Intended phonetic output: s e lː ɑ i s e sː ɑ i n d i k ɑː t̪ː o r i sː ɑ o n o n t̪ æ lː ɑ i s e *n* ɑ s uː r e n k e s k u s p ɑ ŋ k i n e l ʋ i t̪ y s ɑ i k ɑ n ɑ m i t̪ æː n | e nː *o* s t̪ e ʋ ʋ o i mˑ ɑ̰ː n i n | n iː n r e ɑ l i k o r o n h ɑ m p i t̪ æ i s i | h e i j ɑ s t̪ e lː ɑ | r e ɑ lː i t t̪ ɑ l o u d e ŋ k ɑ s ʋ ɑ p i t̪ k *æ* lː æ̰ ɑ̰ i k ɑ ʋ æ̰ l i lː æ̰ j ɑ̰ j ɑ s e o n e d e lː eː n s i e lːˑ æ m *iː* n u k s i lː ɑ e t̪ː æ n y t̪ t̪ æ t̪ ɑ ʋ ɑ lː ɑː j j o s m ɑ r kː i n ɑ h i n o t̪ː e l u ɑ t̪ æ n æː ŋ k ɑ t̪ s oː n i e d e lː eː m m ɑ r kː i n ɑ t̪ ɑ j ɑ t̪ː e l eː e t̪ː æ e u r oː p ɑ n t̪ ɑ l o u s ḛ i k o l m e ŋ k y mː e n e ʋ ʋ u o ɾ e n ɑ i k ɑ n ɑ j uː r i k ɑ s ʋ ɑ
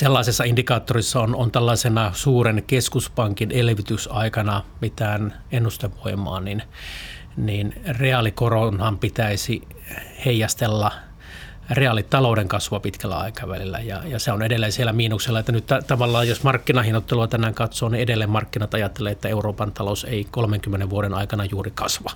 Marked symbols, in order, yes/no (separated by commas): yes, no, yes, yes